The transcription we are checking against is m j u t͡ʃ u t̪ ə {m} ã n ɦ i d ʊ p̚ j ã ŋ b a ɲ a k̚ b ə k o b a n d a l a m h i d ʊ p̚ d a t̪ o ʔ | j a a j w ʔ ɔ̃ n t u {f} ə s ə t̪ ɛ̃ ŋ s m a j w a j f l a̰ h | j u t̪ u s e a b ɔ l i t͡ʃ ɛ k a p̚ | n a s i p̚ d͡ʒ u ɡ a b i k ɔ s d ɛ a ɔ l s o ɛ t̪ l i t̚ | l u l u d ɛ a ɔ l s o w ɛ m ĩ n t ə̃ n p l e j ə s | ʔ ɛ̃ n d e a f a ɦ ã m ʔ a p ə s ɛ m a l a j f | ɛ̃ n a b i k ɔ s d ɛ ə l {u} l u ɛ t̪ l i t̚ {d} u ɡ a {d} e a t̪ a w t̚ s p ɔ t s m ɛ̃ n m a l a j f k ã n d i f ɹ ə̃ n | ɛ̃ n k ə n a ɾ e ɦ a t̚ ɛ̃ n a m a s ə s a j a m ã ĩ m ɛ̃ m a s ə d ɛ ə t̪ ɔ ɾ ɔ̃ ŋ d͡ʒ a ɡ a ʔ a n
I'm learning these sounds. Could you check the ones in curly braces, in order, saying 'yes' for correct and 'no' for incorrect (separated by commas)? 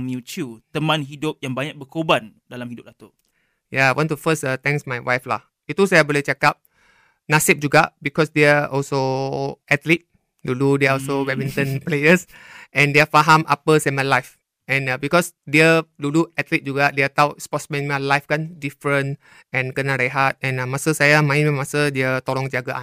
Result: yes, yes, yes, no, yes